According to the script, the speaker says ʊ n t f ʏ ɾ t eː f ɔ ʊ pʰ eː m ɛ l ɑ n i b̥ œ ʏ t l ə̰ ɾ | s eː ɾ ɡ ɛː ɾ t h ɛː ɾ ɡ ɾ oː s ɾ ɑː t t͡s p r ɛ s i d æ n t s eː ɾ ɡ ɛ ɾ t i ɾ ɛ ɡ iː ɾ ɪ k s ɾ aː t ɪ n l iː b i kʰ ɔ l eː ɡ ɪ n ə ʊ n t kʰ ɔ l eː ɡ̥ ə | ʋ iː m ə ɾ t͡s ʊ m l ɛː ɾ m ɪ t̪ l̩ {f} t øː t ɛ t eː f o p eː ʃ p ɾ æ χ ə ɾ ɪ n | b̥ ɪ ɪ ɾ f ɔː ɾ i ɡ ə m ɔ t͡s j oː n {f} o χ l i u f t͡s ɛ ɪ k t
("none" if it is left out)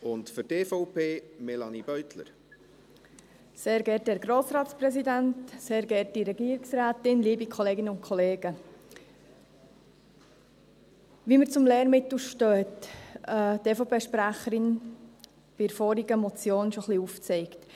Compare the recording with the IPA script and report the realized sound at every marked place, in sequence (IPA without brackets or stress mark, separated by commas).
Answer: ʃ, ʃ